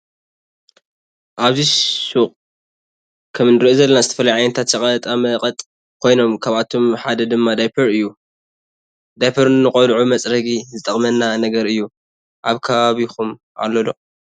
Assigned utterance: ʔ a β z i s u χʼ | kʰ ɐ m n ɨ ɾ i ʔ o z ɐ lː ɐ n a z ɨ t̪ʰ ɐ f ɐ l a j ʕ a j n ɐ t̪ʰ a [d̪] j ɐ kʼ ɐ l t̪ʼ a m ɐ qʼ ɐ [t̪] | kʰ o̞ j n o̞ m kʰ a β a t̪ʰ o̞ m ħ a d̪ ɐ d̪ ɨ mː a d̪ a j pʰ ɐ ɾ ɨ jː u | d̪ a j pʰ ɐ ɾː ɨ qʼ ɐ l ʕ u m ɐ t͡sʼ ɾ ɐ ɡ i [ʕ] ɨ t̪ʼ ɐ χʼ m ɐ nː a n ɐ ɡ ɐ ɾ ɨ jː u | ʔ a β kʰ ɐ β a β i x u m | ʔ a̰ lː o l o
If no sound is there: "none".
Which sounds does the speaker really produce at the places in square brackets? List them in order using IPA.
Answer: t̪, t̪ʼ, z

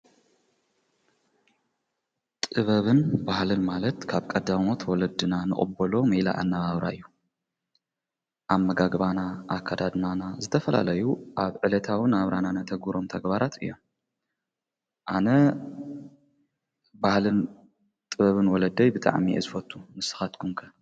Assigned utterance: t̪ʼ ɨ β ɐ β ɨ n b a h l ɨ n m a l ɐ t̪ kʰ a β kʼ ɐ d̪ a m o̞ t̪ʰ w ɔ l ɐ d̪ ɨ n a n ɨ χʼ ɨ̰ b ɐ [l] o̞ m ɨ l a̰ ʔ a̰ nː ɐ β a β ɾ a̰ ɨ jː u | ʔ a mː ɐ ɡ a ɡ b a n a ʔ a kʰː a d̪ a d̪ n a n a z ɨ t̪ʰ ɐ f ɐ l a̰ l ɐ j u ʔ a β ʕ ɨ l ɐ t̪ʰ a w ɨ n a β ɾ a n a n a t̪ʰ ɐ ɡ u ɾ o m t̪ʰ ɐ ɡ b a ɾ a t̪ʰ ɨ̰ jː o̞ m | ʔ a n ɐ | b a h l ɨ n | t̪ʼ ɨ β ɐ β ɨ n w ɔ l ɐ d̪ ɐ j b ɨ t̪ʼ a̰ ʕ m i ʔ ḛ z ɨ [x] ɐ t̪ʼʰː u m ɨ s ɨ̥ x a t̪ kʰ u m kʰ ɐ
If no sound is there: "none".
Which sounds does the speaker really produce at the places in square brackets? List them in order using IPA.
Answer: l, f

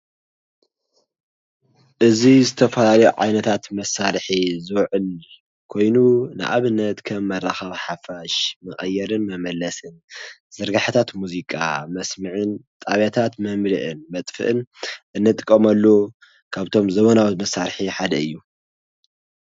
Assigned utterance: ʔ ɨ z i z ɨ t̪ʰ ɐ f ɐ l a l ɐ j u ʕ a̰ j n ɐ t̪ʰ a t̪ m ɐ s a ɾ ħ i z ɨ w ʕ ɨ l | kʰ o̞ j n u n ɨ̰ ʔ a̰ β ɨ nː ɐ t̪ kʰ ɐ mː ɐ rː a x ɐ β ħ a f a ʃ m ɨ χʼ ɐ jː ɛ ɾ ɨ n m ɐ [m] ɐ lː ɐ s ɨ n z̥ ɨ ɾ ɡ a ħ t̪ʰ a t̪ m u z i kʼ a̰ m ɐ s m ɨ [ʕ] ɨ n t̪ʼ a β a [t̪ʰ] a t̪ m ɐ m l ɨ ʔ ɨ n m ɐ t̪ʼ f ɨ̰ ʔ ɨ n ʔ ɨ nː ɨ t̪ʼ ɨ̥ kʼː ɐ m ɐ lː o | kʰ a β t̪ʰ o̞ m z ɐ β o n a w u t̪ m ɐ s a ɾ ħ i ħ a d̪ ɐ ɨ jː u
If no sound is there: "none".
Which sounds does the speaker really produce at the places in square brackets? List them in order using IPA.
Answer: m, ʕ, t̪ʰ

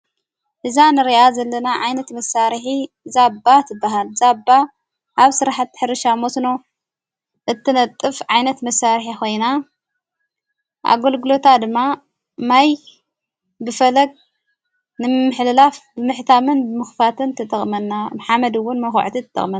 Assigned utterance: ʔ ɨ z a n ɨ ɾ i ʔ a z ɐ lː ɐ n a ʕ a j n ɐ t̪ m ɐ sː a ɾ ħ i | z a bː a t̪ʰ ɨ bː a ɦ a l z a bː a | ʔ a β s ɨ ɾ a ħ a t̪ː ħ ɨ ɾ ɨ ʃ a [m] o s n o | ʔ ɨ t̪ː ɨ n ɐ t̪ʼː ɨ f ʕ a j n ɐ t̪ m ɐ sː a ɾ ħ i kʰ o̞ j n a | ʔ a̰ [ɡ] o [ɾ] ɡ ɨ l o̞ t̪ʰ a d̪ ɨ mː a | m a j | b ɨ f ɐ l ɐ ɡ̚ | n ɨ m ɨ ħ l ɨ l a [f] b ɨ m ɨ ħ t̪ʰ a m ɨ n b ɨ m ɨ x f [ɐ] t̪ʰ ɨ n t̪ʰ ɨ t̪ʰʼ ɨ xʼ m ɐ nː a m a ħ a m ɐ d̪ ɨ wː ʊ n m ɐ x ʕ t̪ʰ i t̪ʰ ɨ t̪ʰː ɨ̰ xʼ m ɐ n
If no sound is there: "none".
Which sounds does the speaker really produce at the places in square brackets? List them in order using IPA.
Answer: m, ɡ, l, f, a

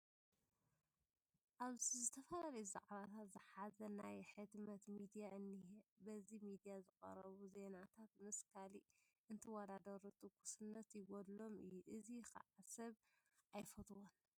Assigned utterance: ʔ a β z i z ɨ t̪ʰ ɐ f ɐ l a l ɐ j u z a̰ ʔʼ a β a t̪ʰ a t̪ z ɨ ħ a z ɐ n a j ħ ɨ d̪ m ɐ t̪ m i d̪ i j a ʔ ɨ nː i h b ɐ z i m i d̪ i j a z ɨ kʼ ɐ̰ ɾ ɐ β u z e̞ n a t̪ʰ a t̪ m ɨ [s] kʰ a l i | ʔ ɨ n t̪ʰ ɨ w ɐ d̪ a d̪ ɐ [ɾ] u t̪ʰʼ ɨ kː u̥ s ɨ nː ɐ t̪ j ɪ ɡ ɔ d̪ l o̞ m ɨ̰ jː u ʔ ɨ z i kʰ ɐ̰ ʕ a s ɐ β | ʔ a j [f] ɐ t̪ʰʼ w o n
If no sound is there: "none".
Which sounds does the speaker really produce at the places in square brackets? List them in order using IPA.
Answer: s, ɾ, f

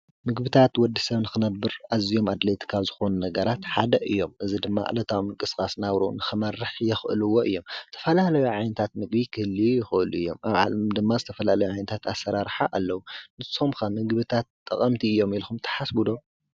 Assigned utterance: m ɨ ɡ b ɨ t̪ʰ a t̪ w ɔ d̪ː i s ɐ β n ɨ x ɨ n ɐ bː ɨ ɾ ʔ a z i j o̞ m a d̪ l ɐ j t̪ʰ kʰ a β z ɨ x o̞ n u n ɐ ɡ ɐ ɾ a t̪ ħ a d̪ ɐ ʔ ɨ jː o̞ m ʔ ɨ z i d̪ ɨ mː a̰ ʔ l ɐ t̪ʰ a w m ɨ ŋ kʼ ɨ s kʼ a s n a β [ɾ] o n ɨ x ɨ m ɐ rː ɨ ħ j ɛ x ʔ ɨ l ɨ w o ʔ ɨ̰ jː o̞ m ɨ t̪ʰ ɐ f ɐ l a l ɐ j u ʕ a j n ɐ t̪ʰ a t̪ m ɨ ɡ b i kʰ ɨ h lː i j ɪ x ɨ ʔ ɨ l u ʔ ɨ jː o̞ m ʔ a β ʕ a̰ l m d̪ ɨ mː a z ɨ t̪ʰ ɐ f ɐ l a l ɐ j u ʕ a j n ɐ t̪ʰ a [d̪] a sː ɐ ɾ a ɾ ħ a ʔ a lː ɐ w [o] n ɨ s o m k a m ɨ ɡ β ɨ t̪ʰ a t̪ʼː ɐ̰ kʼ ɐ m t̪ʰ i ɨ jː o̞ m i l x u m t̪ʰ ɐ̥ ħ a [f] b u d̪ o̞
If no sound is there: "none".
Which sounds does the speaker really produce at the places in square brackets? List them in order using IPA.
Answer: ɾ, t̪, u, s

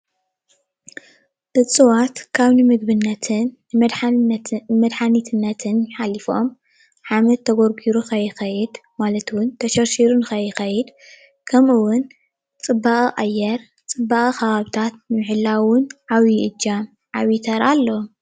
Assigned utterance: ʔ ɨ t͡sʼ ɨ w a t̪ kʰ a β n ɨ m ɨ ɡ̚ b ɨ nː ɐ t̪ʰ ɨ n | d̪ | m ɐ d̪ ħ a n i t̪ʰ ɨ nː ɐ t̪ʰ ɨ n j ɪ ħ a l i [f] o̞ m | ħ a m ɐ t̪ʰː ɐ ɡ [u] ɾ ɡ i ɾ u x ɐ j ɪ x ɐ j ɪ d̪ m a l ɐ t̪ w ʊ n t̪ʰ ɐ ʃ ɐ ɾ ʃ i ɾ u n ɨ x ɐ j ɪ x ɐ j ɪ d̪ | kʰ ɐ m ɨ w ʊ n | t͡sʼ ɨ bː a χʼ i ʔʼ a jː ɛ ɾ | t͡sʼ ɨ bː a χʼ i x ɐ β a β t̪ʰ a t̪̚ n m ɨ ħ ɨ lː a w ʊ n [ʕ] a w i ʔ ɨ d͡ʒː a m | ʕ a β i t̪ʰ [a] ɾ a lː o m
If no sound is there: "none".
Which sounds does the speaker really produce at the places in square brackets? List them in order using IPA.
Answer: f, o, ʕ, ɐ

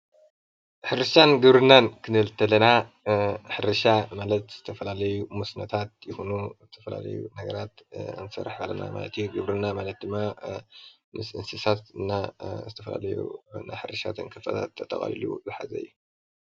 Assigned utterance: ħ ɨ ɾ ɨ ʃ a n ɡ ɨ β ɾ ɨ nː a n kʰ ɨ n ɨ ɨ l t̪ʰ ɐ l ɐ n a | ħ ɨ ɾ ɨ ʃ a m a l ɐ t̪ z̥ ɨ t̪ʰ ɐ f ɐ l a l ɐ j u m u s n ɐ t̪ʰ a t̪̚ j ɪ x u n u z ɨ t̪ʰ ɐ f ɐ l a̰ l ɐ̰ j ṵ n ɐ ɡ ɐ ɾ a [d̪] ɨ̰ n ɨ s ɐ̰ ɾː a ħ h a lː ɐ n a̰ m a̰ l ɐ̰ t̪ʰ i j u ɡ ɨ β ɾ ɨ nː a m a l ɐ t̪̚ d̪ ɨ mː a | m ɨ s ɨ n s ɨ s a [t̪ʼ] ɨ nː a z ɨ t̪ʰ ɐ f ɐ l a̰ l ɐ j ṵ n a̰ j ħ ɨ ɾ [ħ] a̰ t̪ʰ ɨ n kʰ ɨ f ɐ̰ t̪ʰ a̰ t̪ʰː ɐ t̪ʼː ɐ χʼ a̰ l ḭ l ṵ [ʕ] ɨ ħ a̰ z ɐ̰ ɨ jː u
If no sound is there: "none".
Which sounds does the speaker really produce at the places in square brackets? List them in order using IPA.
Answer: t̪, t̪, ʃ, z

